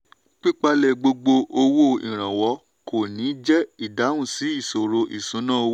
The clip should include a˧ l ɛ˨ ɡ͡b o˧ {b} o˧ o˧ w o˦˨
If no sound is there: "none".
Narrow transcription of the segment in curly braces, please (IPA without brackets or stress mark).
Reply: ɡ͡b